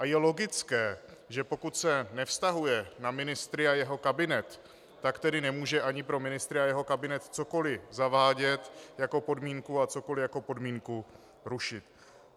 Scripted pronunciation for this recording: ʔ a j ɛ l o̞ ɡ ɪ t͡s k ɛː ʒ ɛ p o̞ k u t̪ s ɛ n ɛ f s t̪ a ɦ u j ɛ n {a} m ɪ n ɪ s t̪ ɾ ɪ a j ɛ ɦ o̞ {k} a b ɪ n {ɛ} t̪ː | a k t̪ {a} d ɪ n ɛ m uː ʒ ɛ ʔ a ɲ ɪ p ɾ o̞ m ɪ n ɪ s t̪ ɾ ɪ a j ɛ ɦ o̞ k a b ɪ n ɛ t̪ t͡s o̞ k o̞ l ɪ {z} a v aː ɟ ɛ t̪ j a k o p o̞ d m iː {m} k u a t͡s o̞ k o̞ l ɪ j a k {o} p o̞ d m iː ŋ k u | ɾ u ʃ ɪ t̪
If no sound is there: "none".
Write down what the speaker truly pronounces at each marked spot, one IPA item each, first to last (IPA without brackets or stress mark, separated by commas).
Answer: a, k, ɛ, ɛ, z, ŋ, o